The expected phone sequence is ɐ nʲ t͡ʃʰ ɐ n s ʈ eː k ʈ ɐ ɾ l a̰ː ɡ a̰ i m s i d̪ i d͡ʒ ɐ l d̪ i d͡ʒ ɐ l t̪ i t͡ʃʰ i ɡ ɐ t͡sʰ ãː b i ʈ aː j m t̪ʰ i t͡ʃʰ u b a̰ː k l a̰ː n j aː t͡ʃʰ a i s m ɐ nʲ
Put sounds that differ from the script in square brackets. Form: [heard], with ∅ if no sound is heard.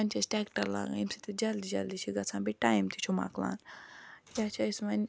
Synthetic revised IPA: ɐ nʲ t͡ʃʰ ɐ [∅] s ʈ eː k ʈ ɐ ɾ l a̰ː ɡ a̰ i m s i [t̪] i d͡ʒ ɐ l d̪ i d͡ʒ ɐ l [d̪] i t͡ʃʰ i ɡ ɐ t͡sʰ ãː b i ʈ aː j m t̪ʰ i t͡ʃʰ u [m] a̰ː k l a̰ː n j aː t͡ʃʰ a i s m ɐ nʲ